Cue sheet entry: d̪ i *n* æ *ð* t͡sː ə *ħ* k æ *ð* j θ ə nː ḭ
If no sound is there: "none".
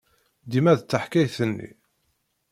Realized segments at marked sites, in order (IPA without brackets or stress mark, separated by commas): m, ð, ħ, none